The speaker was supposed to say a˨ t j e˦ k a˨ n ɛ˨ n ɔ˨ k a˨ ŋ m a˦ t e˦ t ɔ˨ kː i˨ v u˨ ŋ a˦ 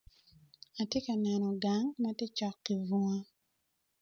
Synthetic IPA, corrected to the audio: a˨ t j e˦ k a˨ n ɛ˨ n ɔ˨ ɡ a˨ ŋ m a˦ t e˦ t͡ʃ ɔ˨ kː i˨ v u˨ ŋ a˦

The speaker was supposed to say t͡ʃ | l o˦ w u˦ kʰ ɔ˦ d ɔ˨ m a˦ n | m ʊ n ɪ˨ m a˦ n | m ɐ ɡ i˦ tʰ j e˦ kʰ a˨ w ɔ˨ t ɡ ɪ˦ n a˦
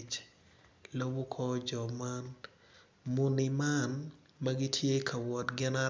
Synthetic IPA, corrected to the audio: t͡ʃ | l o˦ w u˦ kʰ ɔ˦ d͡ʒ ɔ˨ m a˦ n | m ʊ n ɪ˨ m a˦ n | m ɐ ɡ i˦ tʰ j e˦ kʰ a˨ w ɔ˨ t ɡ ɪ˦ n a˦

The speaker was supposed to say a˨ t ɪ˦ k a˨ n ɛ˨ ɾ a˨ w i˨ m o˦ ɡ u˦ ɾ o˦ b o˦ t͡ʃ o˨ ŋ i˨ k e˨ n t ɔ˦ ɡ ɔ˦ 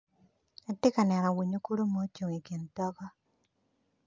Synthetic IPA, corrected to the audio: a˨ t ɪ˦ k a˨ n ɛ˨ ɾ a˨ w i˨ ɲ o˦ k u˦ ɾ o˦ m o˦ t͡ʃ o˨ ŋ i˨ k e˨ n t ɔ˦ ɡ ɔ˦

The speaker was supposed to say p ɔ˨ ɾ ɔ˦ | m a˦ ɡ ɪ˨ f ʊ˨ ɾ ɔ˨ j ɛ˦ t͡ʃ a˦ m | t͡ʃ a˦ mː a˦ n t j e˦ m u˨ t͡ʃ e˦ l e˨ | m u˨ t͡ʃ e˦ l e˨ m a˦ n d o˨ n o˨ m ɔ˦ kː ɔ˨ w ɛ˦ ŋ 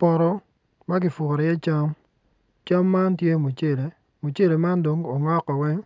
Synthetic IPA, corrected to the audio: p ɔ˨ ɾ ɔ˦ | m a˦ ɡ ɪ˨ f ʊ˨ ɾ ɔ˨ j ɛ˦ t͡ʃ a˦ m | t͡ʃ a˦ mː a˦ n t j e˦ m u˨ t͡ʃ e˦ l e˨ | m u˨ t͡ʃ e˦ l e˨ m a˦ n d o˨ ŋ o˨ ŋ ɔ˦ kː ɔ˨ w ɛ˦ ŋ

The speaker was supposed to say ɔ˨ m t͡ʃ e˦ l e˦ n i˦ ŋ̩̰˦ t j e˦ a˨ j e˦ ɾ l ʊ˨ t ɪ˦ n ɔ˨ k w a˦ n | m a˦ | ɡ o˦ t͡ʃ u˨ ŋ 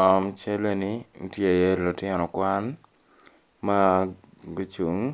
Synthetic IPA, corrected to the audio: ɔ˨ m t͡ʃ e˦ l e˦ n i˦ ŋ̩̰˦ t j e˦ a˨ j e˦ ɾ l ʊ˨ t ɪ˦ n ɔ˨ k w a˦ n | m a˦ | ɡ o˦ t͡ʃ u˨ ŋ

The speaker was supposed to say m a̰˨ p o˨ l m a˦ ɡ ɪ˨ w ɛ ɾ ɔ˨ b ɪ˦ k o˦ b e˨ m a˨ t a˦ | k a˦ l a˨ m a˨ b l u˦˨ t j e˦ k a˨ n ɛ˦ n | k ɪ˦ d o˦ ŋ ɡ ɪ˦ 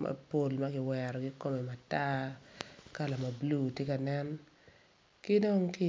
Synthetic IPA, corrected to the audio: m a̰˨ p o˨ l m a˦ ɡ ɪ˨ w ɛ ɾ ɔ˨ ɡ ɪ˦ k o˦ m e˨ m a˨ t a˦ | k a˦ l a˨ m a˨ b l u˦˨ t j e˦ k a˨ n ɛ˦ n | k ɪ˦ d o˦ ŋ k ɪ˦

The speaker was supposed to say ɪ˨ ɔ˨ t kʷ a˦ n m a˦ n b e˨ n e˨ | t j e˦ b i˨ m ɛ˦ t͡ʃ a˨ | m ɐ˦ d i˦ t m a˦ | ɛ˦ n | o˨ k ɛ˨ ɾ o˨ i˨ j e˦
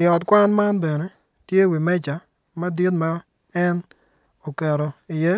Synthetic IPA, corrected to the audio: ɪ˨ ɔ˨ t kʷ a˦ n m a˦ n b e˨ n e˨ | t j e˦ w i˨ m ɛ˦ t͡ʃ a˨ | m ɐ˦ d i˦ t m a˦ | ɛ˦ n | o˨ k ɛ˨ ɾ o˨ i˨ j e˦

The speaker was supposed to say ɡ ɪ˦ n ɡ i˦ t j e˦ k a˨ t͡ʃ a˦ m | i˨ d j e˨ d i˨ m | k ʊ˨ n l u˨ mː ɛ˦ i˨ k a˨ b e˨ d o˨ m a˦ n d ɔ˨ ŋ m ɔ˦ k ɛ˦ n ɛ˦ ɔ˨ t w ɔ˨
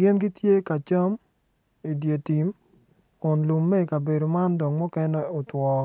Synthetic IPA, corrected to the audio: ɡ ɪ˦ n ɡ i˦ t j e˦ k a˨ t͡ʃ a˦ m | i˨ d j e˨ t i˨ m | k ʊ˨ n l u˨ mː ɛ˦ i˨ k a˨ b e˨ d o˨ m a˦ n d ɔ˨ ŋ m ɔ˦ k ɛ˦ n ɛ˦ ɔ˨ t w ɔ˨

